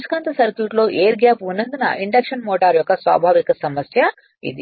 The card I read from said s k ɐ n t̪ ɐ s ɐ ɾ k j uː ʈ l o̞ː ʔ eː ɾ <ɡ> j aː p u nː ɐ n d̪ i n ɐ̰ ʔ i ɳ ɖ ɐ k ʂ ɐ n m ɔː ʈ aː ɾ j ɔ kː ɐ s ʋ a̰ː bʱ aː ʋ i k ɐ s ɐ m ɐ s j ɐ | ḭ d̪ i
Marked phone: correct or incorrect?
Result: correct